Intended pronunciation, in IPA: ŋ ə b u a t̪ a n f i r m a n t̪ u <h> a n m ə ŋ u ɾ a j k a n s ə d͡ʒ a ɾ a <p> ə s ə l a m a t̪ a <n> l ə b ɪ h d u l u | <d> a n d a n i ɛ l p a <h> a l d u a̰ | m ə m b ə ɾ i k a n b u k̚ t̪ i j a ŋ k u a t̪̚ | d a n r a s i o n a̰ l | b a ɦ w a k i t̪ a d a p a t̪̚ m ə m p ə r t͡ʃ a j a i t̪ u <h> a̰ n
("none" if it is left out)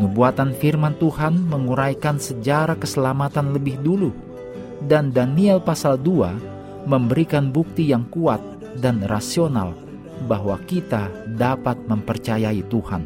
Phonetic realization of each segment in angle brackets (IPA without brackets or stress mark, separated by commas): h, k, n, d, s, h